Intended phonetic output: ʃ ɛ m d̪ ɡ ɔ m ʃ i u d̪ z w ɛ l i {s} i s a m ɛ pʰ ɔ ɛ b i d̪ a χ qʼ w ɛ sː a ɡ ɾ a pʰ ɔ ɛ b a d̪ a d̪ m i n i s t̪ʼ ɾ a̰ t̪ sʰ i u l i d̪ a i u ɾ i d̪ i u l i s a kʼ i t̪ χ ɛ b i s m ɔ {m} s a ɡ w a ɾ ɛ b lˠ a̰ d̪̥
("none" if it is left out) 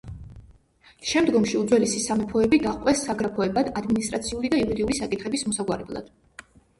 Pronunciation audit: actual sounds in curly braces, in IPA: s, none

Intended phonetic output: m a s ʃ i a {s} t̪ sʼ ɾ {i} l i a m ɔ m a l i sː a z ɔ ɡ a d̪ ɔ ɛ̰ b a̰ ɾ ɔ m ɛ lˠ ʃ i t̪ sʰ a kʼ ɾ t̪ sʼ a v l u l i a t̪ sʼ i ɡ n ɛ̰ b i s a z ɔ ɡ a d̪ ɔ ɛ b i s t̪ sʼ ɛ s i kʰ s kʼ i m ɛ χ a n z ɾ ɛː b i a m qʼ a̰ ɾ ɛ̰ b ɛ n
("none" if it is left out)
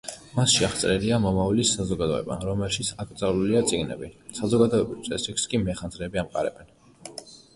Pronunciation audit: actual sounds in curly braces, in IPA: χ, ɛ

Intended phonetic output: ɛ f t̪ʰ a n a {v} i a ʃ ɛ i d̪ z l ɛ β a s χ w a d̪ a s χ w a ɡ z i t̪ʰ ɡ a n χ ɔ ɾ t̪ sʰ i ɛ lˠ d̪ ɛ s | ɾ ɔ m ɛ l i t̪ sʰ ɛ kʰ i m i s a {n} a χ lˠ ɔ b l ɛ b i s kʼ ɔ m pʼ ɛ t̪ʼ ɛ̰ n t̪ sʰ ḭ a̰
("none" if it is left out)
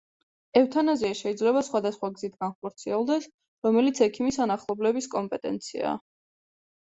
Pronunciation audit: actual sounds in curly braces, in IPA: z, n

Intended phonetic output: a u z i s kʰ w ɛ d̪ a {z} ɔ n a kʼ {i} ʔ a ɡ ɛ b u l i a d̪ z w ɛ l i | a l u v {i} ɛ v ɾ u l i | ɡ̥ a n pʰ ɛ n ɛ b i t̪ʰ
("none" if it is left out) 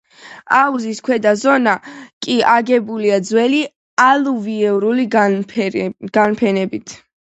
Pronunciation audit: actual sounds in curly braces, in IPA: z, i, i

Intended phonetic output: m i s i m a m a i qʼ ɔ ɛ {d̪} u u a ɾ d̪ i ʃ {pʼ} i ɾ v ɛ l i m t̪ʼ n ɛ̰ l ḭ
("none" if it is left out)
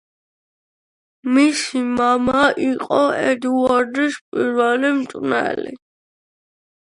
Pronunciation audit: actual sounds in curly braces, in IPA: d̪, pʼ

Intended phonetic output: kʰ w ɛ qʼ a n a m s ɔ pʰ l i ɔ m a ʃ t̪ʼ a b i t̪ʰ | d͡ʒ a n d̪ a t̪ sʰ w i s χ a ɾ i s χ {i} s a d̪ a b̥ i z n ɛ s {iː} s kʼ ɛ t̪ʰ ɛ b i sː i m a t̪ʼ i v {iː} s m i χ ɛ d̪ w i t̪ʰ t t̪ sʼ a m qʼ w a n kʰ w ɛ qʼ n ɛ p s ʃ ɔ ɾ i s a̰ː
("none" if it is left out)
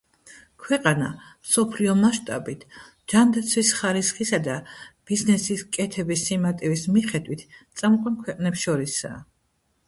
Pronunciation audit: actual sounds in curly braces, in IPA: i, i, i

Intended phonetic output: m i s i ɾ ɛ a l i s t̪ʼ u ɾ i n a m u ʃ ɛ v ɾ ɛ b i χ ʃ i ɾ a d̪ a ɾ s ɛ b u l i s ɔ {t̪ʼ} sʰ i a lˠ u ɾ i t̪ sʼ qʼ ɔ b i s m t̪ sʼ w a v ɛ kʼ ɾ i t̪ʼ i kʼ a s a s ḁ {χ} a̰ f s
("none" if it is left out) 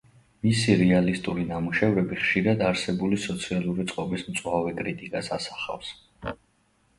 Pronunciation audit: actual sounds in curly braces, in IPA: t̪, χ

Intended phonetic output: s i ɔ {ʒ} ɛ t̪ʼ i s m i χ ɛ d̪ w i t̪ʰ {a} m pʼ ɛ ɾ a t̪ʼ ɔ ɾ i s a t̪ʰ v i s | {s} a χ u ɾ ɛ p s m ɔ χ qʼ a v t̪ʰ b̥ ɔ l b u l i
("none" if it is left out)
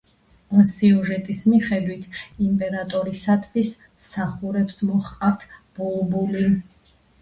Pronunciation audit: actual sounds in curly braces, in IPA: ʒ, i, s

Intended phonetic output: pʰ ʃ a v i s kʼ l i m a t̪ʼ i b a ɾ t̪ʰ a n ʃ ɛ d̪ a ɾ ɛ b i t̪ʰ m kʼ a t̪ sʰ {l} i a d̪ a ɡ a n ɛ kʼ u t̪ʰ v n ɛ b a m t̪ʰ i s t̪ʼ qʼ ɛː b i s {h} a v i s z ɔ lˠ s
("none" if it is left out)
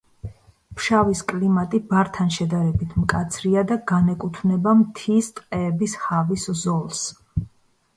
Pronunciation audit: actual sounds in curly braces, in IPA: ɾ, h

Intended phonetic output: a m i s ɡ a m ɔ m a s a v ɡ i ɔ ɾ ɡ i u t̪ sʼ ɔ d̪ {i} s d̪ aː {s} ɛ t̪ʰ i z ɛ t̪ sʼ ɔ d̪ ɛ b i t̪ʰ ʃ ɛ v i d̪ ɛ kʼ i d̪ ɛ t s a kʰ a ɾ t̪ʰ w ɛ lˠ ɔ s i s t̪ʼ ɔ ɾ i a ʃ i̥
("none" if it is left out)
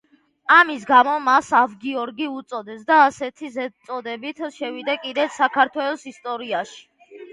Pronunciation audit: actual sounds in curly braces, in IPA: ɛ, s

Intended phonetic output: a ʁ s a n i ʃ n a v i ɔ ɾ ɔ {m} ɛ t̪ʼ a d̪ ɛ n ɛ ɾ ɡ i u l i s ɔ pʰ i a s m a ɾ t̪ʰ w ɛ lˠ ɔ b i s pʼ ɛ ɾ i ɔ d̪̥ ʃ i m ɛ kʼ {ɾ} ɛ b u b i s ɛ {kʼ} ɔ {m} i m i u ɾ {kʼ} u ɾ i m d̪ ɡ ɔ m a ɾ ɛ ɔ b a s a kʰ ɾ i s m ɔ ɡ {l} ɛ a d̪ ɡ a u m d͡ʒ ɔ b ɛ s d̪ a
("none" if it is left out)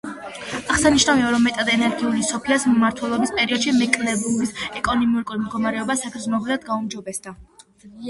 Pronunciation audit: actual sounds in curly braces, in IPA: m, l, kʼ, n, kʼ, l

